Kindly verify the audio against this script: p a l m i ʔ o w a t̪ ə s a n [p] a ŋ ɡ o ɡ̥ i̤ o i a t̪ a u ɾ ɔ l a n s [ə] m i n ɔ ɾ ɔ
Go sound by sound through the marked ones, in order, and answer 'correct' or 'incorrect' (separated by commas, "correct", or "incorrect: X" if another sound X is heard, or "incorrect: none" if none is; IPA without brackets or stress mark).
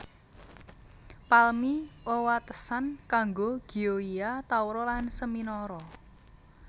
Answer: incorrect: k, correct